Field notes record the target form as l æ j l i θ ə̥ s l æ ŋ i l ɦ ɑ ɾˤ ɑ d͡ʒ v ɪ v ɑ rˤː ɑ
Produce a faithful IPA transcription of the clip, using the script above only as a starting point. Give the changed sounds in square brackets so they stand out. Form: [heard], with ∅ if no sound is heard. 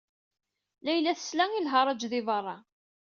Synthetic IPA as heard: l æ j l [æ] θ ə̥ s l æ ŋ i l ɦ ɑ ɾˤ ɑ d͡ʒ [ð] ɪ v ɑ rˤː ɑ